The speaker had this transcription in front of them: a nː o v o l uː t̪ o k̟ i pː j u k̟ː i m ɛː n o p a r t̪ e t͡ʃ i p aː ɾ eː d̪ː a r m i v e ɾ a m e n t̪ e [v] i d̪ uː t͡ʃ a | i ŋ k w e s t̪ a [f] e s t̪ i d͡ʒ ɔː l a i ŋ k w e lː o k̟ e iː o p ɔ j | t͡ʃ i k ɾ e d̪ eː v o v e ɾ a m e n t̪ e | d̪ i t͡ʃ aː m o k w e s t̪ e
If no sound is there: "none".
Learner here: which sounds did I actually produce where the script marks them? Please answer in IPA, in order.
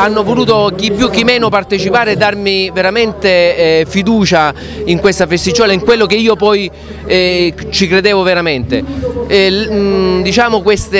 f, f

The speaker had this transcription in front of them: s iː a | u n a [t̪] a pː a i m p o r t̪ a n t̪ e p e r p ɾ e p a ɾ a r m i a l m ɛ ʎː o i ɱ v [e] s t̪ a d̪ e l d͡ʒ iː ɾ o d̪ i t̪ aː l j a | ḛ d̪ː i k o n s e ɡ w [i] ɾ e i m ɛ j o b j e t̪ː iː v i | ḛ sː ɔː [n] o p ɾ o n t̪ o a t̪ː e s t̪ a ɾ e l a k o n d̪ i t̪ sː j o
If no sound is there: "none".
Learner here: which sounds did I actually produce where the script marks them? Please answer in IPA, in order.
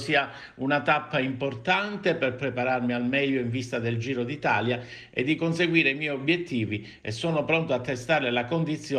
t̪, i, iː, n

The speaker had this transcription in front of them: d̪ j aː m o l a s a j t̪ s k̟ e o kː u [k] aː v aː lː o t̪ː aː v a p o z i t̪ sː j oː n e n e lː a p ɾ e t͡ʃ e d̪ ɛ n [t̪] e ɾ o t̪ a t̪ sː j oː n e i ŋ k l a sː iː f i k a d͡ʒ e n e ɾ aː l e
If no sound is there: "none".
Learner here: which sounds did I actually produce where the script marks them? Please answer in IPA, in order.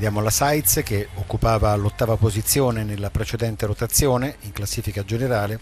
p, t̪

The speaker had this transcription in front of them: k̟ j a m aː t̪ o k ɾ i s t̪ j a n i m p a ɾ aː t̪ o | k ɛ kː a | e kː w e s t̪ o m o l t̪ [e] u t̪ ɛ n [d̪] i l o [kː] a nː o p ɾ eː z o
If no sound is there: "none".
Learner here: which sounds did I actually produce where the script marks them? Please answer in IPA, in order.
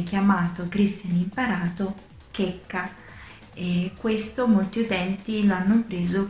i, t̪, none

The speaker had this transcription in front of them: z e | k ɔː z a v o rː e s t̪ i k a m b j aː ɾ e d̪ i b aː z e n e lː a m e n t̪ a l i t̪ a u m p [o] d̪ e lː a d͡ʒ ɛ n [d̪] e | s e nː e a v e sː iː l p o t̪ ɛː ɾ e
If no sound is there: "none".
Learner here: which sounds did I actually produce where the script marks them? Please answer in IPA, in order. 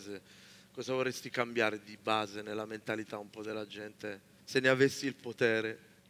ɔ, t̪

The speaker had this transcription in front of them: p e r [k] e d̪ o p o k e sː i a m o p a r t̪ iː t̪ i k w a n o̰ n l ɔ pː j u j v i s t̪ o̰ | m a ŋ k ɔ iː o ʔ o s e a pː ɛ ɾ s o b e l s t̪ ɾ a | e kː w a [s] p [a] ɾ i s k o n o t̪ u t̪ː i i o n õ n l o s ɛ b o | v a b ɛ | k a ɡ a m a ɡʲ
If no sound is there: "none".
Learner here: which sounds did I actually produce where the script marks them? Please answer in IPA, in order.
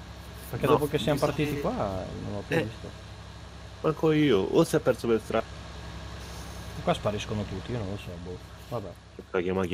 k, s, a

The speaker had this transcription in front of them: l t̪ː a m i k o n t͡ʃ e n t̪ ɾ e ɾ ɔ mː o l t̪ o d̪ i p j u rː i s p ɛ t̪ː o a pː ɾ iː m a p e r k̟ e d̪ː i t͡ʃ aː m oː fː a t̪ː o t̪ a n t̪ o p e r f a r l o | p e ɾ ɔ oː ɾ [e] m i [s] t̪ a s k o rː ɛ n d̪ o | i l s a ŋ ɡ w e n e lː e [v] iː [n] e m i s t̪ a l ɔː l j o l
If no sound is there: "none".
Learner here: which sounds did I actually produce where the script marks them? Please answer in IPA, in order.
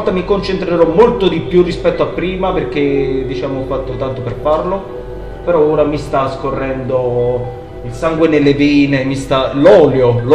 a, s, v, n

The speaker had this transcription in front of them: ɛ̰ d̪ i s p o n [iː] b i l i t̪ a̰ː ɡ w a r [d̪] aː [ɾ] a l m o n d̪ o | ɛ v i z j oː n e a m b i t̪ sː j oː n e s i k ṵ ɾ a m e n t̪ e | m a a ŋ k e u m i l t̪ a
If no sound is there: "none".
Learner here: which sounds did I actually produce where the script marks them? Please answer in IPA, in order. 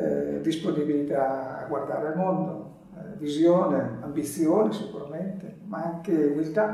i, d̪, ɾ

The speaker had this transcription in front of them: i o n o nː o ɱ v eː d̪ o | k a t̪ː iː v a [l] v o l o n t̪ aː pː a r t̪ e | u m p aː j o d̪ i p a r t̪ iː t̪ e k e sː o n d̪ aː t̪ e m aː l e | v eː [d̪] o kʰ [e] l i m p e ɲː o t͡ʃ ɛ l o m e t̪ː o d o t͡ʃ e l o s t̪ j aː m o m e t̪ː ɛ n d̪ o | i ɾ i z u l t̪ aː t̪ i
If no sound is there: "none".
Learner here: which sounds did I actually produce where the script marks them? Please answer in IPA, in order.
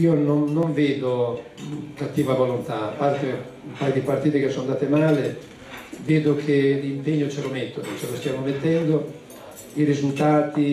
none, d̪, e

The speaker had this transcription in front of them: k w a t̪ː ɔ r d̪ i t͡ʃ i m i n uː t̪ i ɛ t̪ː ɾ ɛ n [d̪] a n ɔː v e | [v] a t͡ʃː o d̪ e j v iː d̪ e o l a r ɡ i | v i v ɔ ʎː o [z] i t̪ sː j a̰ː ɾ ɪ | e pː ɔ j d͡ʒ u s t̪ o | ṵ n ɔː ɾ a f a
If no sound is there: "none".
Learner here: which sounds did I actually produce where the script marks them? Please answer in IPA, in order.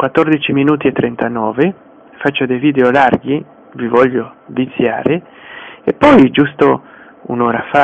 t̪, f, v

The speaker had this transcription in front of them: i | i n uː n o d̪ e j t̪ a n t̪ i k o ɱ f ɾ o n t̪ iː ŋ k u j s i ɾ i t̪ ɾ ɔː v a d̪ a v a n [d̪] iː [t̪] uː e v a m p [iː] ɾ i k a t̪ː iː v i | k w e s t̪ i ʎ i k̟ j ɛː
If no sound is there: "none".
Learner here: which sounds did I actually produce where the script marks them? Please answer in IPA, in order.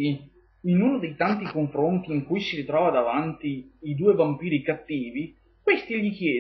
t̪, d̪, iː

